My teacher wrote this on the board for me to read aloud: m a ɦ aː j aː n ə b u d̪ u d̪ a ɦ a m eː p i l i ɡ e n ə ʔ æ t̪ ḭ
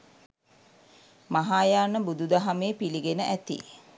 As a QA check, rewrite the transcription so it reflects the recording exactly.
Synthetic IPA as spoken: m a ɦ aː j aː n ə b u d̪ u d̪ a ɦ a m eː p i l i ɡ e n ə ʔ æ t̪ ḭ